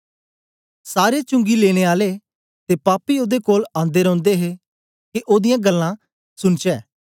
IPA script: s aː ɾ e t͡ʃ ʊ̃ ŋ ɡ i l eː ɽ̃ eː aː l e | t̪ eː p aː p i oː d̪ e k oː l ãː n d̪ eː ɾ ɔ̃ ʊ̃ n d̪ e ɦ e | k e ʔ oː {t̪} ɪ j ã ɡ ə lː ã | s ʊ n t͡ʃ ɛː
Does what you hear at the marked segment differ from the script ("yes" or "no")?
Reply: yes